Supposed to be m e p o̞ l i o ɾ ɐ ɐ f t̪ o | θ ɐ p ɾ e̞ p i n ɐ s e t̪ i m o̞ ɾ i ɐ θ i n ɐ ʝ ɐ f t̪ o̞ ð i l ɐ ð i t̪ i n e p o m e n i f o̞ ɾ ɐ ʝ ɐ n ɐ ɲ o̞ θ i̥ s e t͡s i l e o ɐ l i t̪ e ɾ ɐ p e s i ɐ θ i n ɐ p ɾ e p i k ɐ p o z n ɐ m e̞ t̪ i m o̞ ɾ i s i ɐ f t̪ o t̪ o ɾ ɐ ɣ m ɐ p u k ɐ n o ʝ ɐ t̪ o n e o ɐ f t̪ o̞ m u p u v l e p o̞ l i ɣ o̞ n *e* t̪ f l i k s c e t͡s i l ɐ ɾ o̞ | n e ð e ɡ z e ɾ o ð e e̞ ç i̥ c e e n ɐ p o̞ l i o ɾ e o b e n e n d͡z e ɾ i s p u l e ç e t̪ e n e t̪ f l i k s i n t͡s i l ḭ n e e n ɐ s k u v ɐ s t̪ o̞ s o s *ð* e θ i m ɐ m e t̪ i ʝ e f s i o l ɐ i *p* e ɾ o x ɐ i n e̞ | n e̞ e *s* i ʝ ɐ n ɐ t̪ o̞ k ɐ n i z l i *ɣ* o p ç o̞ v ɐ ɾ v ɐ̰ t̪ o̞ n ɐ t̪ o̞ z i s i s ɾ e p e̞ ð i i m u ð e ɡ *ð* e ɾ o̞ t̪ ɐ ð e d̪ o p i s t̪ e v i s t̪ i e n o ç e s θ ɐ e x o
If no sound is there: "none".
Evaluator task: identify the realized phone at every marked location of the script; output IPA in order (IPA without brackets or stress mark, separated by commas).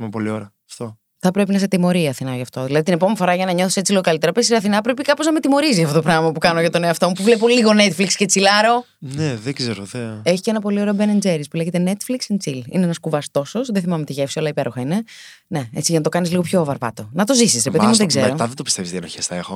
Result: e, ð, p, t͡s, ɣ, z